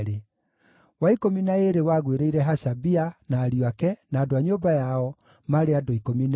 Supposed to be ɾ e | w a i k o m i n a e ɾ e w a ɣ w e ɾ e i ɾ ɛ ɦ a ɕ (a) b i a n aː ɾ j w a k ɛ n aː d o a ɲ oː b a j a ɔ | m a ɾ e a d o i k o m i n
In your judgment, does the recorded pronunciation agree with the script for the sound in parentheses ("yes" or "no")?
yes